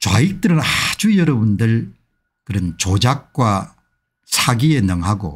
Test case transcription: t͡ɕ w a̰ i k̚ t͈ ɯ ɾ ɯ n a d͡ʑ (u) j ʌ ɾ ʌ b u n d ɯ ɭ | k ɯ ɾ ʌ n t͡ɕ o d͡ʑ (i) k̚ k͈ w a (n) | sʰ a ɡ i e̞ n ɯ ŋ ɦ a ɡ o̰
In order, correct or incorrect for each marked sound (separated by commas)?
correct, incorrect, incorrect